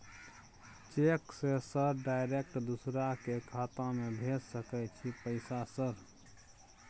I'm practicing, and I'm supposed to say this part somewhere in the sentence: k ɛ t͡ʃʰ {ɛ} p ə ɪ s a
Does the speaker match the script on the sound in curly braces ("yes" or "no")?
no